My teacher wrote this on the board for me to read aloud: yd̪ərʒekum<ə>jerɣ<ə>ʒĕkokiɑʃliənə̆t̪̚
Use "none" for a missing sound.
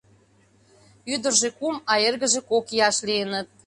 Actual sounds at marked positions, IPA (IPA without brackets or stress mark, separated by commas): ɑ, ə